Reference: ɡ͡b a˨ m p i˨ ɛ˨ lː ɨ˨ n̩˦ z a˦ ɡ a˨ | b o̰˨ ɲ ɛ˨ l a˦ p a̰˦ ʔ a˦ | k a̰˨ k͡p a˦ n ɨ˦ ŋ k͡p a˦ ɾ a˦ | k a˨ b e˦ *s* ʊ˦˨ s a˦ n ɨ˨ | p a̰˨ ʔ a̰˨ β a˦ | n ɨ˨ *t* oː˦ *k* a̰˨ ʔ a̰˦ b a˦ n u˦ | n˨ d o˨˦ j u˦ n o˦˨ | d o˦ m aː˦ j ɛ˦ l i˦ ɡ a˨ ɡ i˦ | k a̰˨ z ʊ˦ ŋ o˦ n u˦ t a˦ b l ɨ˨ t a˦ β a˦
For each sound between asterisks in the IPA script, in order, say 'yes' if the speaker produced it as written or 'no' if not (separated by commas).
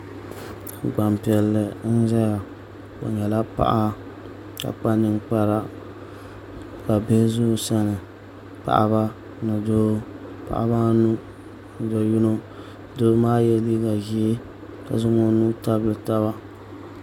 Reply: no, no, no